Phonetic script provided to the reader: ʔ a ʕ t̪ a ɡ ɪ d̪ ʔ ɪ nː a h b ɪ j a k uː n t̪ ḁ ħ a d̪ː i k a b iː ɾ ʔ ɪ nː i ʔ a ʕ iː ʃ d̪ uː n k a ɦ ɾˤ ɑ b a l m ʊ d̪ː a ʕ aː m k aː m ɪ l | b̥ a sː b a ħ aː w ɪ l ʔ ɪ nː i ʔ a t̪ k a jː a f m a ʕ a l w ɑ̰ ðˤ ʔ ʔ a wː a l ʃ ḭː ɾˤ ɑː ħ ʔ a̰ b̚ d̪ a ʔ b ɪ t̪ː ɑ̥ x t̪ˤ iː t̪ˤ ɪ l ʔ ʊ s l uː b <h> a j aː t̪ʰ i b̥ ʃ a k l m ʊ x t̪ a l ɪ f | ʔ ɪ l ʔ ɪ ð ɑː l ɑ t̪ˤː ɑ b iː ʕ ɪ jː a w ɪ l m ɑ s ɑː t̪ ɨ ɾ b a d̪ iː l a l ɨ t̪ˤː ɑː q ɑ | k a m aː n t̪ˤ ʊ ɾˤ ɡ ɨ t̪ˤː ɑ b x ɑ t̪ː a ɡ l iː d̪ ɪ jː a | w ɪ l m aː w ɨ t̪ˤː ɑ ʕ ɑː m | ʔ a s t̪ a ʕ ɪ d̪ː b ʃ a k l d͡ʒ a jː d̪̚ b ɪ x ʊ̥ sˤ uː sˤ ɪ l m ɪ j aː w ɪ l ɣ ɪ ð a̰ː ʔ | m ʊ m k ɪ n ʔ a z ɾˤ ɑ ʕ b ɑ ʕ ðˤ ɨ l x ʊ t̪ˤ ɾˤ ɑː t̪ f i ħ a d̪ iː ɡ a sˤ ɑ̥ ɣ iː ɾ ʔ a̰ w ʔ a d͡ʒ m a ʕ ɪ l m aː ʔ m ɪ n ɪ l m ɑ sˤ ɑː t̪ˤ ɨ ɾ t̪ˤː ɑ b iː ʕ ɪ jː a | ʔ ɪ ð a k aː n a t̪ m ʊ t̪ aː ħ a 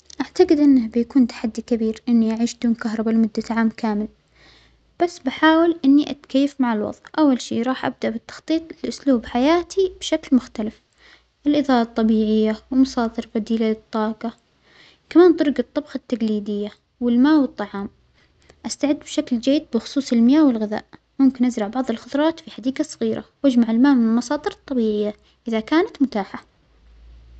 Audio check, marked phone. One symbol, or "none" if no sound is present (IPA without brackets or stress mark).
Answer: ħ